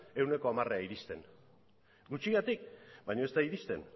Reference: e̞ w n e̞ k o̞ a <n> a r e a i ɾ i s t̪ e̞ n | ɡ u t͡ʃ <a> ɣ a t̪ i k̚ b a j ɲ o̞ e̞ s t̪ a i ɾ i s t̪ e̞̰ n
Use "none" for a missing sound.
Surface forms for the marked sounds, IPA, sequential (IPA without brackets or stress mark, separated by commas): m, i